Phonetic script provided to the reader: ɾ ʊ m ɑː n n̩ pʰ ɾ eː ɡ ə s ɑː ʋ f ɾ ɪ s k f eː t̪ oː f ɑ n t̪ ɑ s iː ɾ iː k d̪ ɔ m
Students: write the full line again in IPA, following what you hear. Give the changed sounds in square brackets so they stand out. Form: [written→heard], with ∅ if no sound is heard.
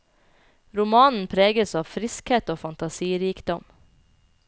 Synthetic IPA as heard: ɾ ʊ m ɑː n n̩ pʰ ɾ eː ɡ ə s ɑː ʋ f ɾ ɪ s k [f→h] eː t̪ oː f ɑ n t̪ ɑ s iː ɾ iː k d̪ ɔ m

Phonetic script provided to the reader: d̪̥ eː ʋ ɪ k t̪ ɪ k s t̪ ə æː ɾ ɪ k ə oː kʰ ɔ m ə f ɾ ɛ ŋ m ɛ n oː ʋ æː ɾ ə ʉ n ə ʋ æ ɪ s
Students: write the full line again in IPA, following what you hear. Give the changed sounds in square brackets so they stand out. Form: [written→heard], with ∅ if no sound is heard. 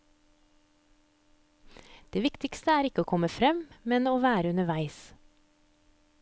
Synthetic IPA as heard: d̪̥ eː ʋ ɪ k t̪ ɪ k s t̪ ə æː ɾ ɪ k ə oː kʰ ɔ m ə f ɾ ɛ [ŋ→m] m ɛ n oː ʋ æː ɾ ə ʉ n ə ʋ æ ɪ s

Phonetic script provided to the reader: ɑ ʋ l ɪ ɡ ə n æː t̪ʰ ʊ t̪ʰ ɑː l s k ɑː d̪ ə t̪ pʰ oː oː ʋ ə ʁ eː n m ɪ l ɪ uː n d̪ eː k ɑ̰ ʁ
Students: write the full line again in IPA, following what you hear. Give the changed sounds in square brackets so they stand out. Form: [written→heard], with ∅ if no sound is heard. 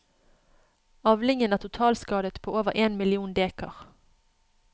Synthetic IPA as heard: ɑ ʋ l ɪ [ɡ→ŋ] ə n æː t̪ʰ ʊ t̪ʰ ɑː l s k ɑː d̪ ə t̪ pʰ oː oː ʋ ə ʁ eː n m ɪ l ɪ uː n d̪ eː k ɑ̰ ʁ

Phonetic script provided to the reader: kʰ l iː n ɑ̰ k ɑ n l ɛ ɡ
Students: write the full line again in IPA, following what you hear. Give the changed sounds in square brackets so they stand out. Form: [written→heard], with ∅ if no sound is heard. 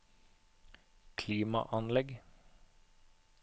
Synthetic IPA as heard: kʰ l iː [n→m] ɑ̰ [k→ʔ] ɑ n l ɛ ɡ

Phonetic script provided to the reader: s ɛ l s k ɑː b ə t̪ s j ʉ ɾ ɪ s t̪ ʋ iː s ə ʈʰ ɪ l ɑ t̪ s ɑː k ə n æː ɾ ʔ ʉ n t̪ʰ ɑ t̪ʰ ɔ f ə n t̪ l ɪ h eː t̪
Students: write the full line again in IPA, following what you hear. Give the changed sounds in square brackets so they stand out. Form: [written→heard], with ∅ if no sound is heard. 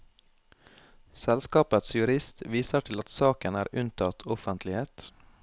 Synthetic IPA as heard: s ɛ l s k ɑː [b→p] ə t̪ s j ʉ ɾ ɪ s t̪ ʋ iː s ə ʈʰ ɪ l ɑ t̪ s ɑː k ə n æː ɾ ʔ ʉ n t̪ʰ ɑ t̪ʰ ɔ f ə n t̪ l ɪ h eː t̪

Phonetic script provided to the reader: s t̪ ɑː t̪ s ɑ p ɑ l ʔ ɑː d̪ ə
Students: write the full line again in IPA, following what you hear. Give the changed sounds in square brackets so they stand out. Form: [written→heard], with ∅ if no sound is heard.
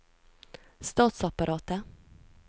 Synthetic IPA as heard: s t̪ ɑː t̪ s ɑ p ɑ [l→ɾ] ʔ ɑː [d̪→t̪] ə

